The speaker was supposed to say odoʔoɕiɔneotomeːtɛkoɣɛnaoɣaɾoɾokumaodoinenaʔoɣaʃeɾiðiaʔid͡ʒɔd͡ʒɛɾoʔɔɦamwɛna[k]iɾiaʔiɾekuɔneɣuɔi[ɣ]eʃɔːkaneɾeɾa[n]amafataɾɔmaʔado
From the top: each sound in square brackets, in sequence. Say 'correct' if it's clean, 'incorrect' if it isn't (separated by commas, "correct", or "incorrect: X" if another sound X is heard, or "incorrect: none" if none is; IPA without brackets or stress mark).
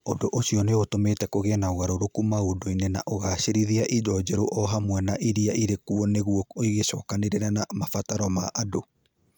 incorrect: ʔ, correct, correct